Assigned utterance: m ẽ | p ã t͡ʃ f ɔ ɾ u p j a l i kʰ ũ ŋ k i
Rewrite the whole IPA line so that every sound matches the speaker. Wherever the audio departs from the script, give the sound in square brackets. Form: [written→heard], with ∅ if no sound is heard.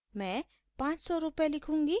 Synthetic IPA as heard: m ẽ | p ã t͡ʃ [f→s] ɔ ɾ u p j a l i kʰ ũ ŋ [k→ɡ] i